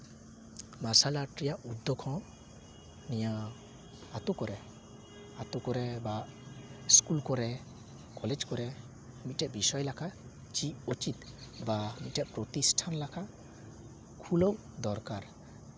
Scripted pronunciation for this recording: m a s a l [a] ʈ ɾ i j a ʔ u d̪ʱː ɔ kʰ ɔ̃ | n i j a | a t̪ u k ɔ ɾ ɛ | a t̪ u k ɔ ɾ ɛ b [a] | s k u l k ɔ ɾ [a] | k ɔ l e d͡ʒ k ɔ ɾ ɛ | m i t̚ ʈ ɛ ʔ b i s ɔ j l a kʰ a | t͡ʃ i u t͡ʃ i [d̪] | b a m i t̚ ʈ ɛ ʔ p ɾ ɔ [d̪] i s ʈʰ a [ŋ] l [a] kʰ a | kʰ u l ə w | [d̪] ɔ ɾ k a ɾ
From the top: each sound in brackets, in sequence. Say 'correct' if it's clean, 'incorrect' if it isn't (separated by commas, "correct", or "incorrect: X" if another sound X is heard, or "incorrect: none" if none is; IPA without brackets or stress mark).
correct, correct, incorrect: ɛ, incorrect: t̪, incorrect: t̪, incorrect: n, correct, correct